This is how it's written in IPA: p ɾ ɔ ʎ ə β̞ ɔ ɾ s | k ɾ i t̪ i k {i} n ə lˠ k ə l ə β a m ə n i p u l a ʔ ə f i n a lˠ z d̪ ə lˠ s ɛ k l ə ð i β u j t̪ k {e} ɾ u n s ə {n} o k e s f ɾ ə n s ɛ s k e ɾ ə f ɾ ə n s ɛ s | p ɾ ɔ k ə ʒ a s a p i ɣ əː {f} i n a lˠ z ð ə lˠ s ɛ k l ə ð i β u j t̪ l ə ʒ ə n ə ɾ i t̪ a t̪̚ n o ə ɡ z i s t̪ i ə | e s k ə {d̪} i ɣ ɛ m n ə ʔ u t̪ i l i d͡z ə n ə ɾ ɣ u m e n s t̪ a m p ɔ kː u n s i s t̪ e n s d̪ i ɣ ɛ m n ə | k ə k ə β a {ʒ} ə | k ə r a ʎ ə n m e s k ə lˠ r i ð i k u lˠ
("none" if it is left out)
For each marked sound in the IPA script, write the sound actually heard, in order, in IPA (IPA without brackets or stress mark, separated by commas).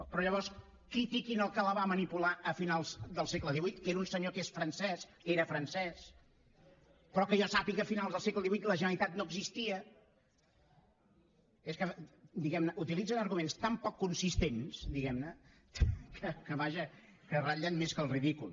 i, e, ɲ, f, d̪, ʒ